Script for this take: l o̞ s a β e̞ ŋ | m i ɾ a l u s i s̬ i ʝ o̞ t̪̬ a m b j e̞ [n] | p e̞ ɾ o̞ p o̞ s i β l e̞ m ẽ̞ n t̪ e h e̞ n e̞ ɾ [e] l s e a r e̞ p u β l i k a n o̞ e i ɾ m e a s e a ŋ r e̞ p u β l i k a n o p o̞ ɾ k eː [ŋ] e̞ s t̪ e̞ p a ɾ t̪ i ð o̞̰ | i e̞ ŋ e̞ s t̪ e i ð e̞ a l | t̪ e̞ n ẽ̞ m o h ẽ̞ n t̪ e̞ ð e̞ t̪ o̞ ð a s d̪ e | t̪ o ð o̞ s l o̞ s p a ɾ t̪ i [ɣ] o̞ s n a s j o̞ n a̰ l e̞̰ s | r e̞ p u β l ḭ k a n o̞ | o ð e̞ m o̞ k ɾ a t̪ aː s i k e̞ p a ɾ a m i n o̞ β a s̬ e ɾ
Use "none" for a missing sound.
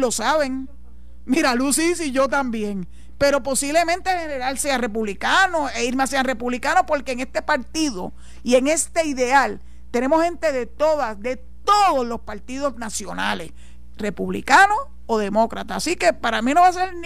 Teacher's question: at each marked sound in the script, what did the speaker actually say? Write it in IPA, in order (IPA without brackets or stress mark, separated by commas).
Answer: ŋ, a, ŋ, ð